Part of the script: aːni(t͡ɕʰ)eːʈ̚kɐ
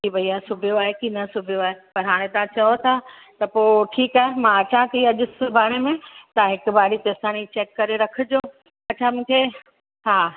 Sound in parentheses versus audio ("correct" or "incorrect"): incorrect